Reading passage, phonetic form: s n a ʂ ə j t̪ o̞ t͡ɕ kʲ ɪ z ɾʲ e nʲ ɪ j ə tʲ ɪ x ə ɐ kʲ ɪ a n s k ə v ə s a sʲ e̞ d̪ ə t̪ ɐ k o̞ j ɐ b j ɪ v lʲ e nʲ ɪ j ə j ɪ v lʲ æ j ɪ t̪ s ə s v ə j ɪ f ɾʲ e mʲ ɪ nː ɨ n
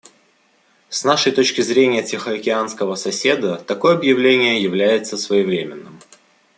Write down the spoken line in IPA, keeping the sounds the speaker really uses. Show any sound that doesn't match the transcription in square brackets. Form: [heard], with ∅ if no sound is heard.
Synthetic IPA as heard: s n a ʂ ə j t̪ o̞ t͡ɕ kʲ ɪ z ɾʲ e nʲ ɪ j ə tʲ ɪ x ə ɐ kʲ ɪ a n s k ə v ə s [ɐ] sʲ e̞ d̪ ə t̪ ɐ k o̞ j ɐ b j ɪ v lʲ e nʲ ɪ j ə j ɪ v lʲ æ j ɪ t̪ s ə s v ə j ɪ [v] ɾʲ e mʲ ɪ nː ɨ [m]